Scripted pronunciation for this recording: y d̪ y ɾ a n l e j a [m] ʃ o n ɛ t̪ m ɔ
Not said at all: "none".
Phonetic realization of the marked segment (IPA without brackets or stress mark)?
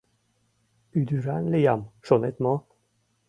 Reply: m